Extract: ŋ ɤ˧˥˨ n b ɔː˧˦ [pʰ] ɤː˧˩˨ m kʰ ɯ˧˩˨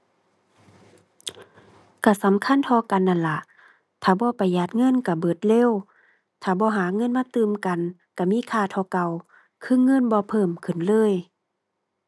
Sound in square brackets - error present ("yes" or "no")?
no